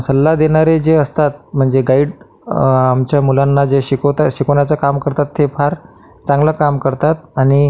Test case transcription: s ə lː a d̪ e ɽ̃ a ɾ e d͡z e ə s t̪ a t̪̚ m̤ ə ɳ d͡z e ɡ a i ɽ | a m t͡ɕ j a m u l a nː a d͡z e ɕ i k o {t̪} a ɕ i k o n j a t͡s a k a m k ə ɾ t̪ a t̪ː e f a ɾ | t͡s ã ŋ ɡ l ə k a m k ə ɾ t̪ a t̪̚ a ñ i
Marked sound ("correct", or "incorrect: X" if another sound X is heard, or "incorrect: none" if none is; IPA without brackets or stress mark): correct